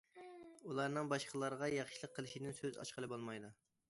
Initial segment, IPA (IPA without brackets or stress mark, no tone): u